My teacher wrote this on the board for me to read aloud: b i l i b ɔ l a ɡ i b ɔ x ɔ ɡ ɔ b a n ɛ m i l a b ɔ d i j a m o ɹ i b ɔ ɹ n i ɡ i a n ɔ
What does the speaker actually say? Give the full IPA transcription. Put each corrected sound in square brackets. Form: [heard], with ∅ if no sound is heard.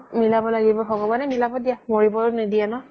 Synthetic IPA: [m] i l [a] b ɔ l a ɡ i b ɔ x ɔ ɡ ɔ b a n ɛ m i l a b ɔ d i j a m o ɹ i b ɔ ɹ n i [d] i a n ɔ